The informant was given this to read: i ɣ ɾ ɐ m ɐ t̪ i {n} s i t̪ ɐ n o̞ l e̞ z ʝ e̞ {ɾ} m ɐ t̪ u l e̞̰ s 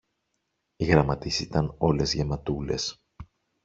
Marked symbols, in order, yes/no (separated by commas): no, no